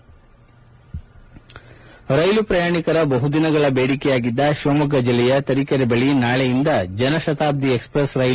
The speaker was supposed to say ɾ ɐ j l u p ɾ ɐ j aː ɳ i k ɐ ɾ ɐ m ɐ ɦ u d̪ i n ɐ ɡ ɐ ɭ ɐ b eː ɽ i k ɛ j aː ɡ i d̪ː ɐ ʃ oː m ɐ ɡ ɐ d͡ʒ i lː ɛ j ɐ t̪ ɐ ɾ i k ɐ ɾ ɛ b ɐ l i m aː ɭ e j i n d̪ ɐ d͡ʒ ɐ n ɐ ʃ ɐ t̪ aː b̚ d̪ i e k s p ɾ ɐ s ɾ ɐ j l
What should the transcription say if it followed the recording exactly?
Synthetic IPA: ɾ ɐ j l u p ɾ ɐ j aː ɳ i k ɐ ɾ ɐ b ɐ ɦ u d̪ i n ɐ ɡ ɐ ɭ ɐ b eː ɽ i k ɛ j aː ɡ i d̪ː ɐ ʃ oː m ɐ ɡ ɐ d͡ʒ i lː ɛ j ɐ t̪ ɐ ɾ i k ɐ ɾ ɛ b ɐ ɭ i n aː ɭ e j i n d̪ ɐ d͡ʒ ɐ n ɐ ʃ ɐ t̪ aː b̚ d̪ i e k s p ɾ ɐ s ɾ ɐ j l

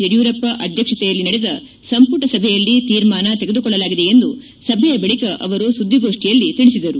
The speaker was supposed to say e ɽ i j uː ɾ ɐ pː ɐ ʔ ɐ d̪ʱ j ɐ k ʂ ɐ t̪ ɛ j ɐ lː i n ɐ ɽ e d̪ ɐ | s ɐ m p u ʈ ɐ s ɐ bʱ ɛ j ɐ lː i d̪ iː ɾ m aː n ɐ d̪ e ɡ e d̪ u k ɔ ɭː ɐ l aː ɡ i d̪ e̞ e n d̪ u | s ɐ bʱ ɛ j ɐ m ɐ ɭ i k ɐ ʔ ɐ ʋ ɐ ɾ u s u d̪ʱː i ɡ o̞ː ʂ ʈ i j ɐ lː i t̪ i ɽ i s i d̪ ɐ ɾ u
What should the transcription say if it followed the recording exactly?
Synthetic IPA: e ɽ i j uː ɾ ɐ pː ɐ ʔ ɐ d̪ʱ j ɐ k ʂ ɐ t̪ ɛ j ɐ lː i n ɐ ɽ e d̪ ɐ | s ɐ m p u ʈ ɐ s ɐ bʱ ɛ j ɐ lː i t̪ iː ɾ m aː n ɐ t̪ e ɡ e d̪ u k ɔ ɭː ɐ l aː ɡ i d̪ e̞ e n d̪ u | s ɐ bʱ ɛ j ɐ b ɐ ɭ i k ɐ ʔ ɐ ʋ ɐ ɾ u s u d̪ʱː i ɡ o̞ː ʂ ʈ i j ɐ lː i t̪ i ɭ i s i d̪ ɐ ɾ u

